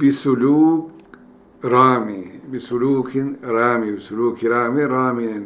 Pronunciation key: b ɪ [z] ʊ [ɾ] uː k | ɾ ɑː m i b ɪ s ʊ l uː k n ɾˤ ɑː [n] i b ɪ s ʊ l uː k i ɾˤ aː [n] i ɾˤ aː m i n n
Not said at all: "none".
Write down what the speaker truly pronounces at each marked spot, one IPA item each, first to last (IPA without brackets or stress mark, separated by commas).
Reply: s, l, m, m